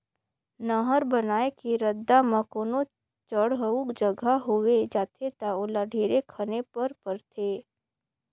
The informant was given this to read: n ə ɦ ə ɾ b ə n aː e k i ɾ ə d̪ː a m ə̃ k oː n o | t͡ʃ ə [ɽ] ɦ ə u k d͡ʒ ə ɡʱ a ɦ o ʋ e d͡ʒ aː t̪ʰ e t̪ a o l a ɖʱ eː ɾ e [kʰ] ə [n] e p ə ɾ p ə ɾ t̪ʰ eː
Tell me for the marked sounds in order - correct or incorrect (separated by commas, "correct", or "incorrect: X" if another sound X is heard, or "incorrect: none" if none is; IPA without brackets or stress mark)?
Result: correct, correct, correct